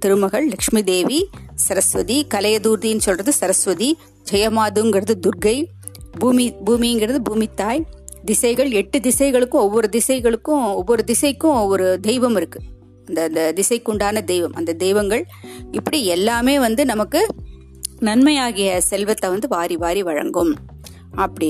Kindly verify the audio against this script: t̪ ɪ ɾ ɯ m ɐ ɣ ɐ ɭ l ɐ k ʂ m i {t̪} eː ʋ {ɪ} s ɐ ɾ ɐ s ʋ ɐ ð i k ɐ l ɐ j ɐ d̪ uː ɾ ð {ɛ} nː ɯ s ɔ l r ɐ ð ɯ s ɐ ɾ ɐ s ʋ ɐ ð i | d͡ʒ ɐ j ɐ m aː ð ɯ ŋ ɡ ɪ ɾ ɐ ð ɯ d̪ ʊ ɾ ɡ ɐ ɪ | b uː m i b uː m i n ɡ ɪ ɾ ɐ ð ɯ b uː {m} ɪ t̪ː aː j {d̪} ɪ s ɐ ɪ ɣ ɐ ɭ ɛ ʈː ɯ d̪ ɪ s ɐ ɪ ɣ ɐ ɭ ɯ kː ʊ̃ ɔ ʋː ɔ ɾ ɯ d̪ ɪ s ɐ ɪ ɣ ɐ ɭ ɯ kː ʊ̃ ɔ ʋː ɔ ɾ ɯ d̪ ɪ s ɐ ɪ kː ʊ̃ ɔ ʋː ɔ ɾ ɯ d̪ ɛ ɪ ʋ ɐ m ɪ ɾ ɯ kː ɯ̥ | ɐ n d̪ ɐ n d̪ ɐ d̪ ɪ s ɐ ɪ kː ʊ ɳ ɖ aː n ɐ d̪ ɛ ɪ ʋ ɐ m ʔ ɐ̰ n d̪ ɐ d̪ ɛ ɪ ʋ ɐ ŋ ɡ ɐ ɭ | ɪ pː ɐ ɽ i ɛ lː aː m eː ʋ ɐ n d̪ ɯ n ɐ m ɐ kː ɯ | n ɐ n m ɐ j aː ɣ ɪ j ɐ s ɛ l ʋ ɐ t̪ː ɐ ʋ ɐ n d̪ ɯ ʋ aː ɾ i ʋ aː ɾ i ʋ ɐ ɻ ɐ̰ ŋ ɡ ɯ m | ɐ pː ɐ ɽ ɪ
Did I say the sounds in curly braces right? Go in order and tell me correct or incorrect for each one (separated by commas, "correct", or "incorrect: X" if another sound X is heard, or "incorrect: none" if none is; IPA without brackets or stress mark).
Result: incorrect: d̪, incorrect: i, incorrect: i, correct, correct